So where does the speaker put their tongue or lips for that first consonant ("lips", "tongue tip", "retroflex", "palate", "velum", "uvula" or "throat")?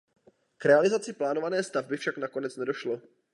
velum